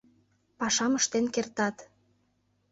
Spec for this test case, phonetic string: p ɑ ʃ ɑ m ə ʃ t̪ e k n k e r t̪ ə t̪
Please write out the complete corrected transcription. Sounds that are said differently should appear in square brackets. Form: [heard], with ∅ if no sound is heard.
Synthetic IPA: p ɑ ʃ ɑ m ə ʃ t̪ e [∅] n k e r t̪ [ɑ] t̪